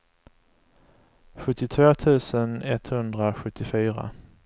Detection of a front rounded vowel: present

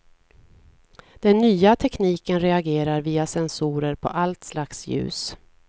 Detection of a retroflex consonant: absent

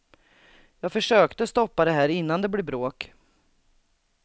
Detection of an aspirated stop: absent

